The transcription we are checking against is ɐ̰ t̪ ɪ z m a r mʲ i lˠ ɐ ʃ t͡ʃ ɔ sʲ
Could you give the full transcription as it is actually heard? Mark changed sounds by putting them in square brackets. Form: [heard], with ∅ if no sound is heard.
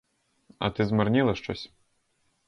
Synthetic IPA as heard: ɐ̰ t̪ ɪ z m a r [nʲ] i lˠ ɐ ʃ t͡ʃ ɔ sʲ